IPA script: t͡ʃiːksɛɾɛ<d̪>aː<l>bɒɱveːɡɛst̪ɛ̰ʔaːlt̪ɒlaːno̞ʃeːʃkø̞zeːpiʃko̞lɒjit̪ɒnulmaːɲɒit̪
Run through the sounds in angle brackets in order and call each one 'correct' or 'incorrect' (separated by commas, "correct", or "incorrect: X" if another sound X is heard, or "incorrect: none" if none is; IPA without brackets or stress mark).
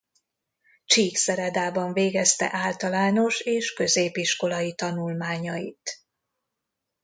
correct, incorrect: none